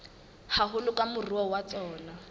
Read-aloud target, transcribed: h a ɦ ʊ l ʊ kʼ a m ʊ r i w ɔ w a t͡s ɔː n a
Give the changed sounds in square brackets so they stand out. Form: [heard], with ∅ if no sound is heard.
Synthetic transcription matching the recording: h a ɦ ʊ l ʊ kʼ a m ʊ r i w ɔ w a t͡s ɔː n a